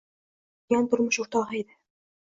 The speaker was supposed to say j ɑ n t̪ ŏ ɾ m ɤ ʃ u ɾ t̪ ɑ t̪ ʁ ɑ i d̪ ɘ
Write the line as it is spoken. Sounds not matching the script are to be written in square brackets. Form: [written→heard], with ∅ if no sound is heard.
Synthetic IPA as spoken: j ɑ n t̪ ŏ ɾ m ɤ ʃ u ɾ t̪ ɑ [t̪→∅] ʁ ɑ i d̪ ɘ